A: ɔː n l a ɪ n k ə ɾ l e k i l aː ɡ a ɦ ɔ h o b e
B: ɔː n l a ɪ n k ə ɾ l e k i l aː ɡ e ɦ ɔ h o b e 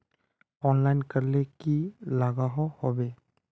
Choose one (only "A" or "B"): A